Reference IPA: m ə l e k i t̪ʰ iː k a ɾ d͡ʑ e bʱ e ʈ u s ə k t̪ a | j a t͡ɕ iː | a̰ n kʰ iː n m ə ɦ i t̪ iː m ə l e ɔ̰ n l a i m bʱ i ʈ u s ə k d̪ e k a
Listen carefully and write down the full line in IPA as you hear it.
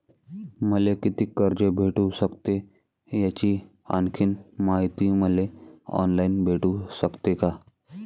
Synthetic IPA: m ə l e k i t̪ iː k ə ɾ d͡ʑ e bʱ e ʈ u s ə k t̪ e | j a t͡ɕ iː | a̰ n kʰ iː n m a ɦ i t̪ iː m ə l e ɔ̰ n l a i n bʱ e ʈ u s ə k t̪ e k a